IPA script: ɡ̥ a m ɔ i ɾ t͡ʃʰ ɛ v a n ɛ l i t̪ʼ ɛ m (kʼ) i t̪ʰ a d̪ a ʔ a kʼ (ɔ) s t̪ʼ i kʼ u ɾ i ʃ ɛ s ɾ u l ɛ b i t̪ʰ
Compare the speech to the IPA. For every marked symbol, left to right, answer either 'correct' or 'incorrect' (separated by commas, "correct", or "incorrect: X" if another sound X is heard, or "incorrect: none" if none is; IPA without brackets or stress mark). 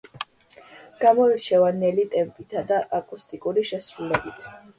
incorrect: pʼ, incorrect: u